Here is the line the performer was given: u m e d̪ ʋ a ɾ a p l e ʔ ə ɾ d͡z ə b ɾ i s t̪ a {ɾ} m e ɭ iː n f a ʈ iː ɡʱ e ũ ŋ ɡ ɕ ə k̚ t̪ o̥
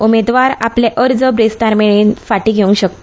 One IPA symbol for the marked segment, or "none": ɾ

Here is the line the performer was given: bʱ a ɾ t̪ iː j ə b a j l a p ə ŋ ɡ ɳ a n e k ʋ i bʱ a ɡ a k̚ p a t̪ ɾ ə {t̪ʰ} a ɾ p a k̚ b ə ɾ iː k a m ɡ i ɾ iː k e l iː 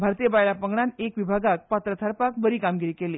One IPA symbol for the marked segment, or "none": t̪ʰ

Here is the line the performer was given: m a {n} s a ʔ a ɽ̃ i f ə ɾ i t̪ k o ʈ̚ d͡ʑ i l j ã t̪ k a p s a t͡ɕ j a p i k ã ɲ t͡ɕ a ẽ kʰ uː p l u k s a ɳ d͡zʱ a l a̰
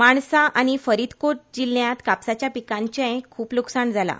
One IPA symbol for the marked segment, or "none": ɳ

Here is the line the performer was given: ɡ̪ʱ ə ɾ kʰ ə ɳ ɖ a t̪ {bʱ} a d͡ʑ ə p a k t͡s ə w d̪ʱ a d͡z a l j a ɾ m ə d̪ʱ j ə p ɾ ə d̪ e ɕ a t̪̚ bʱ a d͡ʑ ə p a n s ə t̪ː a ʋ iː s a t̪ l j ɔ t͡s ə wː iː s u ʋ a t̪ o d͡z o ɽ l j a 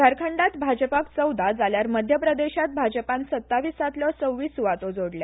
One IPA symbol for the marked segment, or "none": bʱ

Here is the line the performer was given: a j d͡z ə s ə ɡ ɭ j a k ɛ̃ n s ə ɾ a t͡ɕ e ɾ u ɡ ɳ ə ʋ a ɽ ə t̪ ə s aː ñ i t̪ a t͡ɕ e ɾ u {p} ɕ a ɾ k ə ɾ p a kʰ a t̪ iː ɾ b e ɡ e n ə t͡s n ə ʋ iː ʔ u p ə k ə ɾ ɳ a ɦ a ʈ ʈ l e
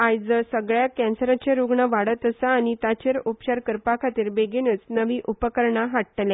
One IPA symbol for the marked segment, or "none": p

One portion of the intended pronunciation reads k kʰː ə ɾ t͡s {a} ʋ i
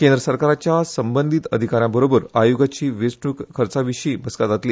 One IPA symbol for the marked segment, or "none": a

